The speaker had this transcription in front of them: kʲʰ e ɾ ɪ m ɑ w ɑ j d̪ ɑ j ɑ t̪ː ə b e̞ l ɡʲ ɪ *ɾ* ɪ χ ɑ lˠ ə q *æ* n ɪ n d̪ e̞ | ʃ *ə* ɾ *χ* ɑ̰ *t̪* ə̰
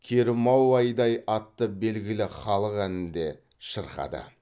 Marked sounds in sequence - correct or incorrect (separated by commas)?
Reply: incorrect, correct, correct, correct, incorrect